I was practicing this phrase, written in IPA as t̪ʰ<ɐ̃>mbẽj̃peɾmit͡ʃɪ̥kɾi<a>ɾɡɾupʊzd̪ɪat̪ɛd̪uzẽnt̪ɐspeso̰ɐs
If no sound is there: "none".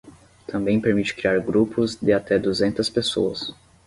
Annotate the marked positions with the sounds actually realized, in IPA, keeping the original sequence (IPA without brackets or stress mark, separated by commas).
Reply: ɐ̃, a